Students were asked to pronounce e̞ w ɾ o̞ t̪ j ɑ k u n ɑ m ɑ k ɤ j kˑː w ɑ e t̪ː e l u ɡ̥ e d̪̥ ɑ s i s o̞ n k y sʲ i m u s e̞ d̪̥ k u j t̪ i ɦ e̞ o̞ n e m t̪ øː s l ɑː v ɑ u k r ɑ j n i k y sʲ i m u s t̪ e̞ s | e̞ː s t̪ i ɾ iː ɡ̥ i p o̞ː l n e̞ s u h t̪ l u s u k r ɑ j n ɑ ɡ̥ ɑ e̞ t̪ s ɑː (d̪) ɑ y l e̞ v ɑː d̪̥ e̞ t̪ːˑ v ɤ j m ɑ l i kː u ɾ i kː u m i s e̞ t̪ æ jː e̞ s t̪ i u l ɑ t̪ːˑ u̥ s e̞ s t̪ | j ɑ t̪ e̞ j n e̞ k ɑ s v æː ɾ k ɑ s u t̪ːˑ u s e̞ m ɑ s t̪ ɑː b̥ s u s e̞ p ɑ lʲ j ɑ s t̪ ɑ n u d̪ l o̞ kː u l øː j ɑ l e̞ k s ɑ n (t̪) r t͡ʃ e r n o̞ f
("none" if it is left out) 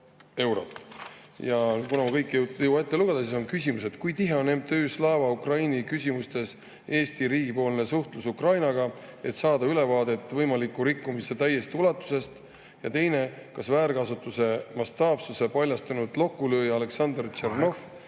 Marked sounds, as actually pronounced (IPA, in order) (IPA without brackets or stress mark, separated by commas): d̪, d̪